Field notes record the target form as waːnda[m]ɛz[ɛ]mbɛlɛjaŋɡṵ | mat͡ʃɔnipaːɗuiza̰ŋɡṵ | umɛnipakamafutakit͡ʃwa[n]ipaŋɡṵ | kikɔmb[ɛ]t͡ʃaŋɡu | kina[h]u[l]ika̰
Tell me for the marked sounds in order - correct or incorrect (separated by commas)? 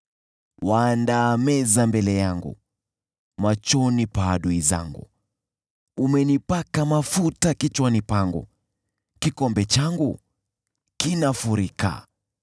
correct, incorrect, correct, correct, incorrect, incorrect